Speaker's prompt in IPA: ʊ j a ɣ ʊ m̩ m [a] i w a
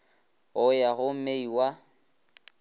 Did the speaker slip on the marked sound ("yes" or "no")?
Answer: yes